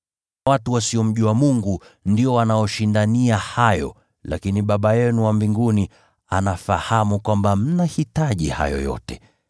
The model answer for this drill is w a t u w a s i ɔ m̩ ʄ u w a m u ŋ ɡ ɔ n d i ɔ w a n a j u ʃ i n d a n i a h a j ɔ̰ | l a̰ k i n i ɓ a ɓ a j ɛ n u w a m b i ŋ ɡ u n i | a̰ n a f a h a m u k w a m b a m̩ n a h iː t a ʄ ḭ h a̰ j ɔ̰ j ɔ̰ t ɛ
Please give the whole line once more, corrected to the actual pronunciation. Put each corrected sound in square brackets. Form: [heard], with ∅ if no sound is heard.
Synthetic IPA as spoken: w a t u w a s i ɔ m̩ ʄ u w a m u ŋ ɡ [u] n d i ɔ w a n a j [ɔ] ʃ i n d a n i a h a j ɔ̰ | l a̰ k i n i ɓ a ɓ a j ɛ n u w a m b i ŋ ɡ u n i | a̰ n a f a h a m u k w a m b a m̩ n a h [i] t a ʄ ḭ h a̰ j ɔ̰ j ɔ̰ t ɛ